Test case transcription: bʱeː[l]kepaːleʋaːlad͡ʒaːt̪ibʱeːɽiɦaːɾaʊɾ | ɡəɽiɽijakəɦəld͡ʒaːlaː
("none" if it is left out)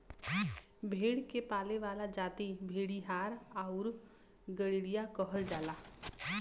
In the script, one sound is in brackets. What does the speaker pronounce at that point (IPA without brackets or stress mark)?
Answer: ɽ